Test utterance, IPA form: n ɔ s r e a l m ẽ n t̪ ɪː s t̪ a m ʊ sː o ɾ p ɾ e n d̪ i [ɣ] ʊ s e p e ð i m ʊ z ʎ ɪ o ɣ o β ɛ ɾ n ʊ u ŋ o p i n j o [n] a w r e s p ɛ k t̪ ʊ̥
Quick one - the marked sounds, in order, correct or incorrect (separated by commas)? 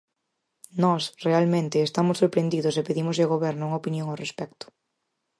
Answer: incorrect, incorrect